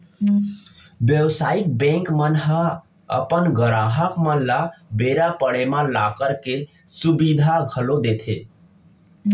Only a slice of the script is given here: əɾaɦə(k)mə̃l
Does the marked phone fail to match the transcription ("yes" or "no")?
no